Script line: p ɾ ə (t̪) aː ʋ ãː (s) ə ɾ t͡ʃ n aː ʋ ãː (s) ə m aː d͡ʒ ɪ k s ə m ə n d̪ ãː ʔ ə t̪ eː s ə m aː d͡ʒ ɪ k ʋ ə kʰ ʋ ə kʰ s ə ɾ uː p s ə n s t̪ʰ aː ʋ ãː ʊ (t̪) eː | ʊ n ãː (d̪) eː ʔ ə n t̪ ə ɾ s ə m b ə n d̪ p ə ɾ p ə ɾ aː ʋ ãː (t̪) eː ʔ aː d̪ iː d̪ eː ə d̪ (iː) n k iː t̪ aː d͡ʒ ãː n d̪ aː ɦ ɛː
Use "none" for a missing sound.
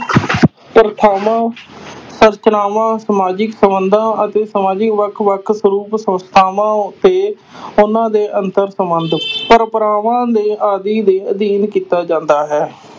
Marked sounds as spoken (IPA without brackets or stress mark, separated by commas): t̪ʰ, s, s, t̪, d̪, d̪, iː